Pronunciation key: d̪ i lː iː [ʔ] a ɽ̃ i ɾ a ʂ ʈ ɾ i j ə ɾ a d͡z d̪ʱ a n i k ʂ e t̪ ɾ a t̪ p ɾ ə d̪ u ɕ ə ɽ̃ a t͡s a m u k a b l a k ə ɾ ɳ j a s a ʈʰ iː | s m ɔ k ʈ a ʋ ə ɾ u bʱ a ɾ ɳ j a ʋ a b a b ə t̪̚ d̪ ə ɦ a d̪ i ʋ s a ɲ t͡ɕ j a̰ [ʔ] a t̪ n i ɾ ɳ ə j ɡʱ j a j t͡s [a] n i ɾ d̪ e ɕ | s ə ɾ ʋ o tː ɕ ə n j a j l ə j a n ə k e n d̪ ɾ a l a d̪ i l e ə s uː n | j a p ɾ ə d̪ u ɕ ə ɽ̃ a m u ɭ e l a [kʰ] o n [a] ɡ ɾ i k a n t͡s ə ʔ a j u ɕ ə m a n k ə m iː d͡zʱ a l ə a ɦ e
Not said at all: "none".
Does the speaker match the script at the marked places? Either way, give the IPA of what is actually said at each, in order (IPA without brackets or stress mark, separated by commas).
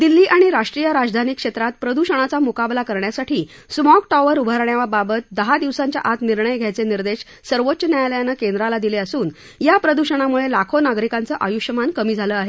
ʔ, ʔ, e, kʰ, a